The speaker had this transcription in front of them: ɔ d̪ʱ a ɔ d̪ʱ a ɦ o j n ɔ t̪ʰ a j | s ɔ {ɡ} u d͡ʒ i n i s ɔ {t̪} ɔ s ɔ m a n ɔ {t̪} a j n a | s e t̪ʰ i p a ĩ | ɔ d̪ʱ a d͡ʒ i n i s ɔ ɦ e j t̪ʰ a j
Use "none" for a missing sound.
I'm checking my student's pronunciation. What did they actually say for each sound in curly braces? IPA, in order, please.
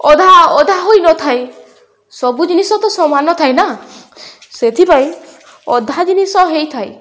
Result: b, t̪, t̪ʰ

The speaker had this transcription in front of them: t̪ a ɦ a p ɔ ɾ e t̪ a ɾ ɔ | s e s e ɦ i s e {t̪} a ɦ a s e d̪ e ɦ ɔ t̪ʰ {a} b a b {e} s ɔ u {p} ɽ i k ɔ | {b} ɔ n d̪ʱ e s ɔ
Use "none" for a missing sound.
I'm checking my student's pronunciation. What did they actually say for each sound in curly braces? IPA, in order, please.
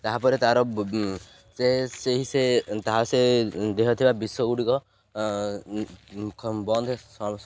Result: t̪, i, i, none, b

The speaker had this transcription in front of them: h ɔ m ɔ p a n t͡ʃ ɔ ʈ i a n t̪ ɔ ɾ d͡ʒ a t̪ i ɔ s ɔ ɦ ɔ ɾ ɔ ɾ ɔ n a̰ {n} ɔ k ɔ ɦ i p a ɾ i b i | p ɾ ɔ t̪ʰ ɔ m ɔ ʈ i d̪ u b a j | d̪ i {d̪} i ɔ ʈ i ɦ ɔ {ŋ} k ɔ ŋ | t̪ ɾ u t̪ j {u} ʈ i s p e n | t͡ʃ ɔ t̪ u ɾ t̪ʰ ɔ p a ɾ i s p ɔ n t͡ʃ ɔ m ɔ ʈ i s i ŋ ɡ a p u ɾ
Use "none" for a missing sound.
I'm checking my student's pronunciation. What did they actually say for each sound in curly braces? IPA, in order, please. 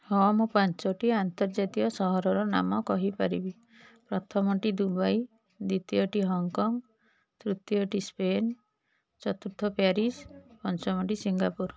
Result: m, t̪, ŋ, ɔ

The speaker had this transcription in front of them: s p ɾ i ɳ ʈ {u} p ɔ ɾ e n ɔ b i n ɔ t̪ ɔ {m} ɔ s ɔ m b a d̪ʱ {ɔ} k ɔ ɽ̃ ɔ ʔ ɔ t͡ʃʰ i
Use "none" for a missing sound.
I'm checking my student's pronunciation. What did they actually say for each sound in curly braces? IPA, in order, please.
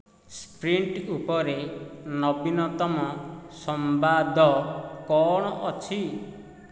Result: u, m, ɔ

